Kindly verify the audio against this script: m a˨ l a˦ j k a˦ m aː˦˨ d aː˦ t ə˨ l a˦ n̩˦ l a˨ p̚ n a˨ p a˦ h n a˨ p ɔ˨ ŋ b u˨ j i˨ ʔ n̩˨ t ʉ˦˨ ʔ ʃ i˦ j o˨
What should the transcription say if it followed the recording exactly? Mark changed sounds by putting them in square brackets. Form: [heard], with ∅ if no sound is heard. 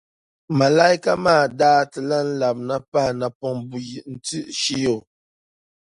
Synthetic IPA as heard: m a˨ l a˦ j k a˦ m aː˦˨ d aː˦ t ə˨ l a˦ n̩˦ l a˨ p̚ n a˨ p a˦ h n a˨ p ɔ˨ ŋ b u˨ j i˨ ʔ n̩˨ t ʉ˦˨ ʔ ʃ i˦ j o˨